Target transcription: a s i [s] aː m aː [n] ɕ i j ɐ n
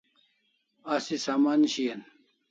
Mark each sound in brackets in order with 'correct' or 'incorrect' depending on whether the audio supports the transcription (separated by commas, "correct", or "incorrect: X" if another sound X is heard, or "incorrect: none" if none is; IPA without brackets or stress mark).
correct, correct